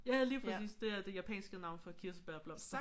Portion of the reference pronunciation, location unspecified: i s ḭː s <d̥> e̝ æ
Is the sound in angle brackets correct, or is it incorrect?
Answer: correct